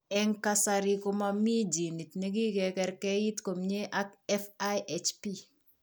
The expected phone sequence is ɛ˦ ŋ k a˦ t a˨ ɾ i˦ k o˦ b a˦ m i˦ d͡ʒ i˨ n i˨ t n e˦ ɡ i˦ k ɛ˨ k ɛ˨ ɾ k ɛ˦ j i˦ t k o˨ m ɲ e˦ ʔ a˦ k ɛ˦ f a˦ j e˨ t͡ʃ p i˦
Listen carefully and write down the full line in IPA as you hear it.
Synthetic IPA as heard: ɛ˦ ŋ k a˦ s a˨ ɾ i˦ k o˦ m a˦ m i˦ d͡ʒ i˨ n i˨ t n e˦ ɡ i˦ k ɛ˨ k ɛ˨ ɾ k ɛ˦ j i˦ t k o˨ m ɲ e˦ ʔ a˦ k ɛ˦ f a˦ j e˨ t͡ʃ p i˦